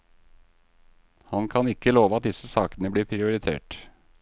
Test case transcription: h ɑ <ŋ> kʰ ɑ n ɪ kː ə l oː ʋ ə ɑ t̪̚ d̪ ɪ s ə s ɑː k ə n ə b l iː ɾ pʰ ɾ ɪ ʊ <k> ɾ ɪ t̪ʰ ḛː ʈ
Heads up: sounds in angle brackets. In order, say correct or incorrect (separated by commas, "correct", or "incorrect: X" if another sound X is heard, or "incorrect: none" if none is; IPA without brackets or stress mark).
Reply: incorrect: n, incorrect: none